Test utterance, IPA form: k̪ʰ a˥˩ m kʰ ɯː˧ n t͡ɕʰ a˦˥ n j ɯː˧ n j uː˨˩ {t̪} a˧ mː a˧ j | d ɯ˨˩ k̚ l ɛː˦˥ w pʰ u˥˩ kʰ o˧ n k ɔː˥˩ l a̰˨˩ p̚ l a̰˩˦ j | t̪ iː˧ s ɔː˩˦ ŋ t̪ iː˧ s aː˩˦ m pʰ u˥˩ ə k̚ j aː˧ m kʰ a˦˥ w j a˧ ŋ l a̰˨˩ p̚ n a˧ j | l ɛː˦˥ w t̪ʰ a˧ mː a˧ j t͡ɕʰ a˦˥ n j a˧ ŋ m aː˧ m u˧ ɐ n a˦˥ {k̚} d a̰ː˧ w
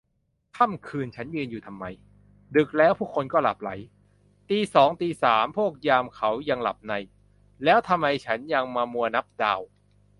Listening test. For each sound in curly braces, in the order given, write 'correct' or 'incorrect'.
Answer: incorrect: t̪ʰ, incorrect: p̚

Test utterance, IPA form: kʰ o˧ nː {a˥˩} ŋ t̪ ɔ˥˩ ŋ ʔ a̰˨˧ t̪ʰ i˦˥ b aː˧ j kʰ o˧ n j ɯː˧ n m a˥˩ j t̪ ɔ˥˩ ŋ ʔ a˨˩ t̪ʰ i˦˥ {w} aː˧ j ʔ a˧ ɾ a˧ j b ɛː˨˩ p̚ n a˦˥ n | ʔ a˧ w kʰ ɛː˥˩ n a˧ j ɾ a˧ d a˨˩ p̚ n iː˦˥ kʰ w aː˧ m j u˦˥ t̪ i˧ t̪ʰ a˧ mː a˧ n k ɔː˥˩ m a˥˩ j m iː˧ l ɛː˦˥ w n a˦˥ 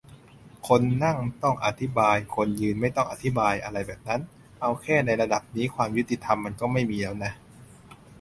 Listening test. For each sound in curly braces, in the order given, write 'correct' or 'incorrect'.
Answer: correct, incorrect: b

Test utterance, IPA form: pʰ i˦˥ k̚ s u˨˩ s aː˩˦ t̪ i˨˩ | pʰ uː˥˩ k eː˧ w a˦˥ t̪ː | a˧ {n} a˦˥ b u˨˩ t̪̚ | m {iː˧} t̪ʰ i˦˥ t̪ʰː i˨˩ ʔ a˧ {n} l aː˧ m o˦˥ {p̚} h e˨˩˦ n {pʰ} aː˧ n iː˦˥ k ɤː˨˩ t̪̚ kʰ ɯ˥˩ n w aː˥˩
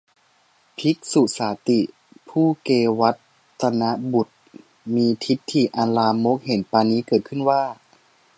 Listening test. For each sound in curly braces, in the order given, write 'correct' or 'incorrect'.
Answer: correct, correct, correct, incorrect: k̚, incorrect: p

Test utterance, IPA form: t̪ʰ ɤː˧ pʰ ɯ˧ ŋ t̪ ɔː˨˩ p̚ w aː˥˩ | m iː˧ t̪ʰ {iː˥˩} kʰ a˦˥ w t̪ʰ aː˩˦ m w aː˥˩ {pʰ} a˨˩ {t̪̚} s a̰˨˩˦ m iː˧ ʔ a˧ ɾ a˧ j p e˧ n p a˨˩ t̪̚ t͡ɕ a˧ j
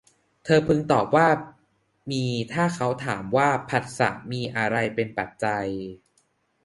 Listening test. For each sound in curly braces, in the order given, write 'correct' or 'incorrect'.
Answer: incorrect: aː˥˩, correct, correct

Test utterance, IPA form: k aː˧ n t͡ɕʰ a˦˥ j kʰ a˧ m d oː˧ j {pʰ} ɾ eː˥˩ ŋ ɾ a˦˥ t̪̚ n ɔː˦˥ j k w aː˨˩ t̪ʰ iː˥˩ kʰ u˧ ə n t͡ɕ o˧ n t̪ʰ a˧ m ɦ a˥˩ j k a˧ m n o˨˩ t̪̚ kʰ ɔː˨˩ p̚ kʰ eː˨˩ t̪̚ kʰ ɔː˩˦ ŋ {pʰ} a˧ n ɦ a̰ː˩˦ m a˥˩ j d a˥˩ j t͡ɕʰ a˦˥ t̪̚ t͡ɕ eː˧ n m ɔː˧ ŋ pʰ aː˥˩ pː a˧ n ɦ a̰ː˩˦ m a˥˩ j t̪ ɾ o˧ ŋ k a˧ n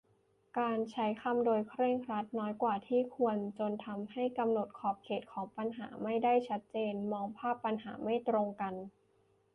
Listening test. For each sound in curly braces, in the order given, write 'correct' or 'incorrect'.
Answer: incorrect: kʰ, incorrect: p

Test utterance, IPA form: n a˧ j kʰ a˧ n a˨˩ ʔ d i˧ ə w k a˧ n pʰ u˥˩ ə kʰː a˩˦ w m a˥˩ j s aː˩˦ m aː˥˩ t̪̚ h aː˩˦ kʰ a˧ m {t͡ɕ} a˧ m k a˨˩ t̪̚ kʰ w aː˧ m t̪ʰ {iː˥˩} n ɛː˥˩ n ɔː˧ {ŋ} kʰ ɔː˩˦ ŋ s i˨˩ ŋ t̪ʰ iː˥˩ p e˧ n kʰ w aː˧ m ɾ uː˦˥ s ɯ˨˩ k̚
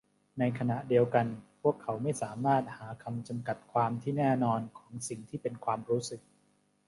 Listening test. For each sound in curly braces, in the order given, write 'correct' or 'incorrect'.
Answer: correct, correct, incorrect: n

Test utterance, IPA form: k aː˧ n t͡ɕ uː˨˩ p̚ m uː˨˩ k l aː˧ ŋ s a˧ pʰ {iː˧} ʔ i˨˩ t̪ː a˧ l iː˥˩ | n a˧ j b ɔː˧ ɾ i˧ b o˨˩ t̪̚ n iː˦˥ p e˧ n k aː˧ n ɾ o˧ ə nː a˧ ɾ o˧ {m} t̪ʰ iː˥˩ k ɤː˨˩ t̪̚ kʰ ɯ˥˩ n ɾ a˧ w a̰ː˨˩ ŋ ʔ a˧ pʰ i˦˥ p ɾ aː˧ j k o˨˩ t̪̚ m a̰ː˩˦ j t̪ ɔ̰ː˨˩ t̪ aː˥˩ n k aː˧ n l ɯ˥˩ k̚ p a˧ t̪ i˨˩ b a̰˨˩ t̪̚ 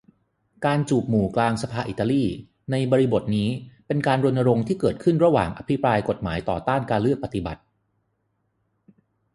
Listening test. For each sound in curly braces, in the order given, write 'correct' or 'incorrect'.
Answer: incorrect: aː˧, incorrect: ŋ

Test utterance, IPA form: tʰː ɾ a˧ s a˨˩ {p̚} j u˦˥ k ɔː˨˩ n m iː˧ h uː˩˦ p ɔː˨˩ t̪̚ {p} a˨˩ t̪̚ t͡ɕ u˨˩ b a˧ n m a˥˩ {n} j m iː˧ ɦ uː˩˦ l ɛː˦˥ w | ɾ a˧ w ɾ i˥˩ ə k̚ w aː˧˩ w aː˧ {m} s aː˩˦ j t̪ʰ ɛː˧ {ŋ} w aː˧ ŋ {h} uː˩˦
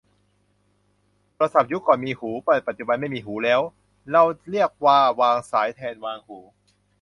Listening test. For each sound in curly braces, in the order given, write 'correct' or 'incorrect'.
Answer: correct, correct, incorrect: none, incorrect: ŋ, incorrect: n, correct

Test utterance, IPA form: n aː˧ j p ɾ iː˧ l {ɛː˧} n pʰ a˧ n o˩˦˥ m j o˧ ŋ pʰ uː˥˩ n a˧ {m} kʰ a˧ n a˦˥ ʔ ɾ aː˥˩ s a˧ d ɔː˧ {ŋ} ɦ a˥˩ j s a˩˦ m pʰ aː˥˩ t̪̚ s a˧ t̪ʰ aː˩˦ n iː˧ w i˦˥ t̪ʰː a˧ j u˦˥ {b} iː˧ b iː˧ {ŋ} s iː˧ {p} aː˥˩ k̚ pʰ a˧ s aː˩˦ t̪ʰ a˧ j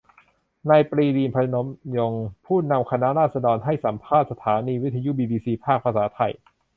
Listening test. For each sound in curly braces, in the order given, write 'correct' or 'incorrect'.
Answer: incorrect: iː˧, correct, incorrect: n, correct, incorrect: none, incorrect: pʰ

